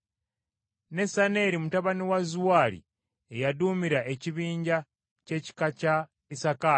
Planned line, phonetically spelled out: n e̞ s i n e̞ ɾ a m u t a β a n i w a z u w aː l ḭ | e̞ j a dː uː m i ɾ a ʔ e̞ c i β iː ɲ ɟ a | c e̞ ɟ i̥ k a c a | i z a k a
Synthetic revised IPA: n e̞ s a n e̞ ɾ i m u t a β a n i w a z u w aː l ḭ | e̞ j a d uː m i ɾ a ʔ e̞ c i β iː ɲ ɟ a | c e̞ c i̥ k a c a | i s a k a